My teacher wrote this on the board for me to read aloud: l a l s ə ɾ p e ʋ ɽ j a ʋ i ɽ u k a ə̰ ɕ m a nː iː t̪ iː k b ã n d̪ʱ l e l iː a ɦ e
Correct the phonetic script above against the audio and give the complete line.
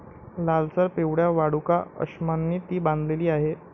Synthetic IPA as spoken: l a l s ə ɾ p e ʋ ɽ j a ʋ a ɽ u k a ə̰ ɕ m a nː iː t̪ iː b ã n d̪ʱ l e l iː a ɦ e